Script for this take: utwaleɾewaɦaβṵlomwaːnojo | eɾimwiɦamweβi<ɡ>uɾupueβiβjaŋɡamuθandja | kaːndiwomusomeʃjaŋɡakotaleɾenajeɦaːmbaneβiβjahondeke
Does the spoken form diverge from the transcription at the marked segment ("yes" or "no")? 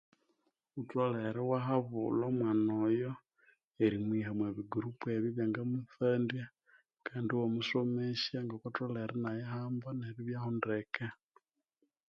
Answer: no